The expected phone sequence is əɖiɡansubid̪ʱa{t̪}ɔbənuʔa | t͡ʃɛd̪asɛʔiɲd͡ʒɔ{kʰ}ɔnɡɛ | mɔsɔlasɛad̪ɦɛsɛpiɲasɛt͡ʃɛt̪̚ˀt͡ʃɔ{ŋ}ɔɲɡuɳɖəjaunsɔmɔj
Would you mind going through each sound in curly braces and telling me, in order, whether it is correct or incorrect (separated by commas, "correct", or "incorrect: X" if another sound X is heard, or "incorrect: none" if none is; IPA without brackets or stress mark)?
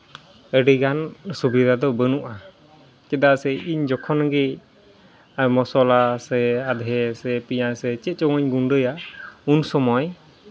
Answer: incorrect: d̪, correct, correct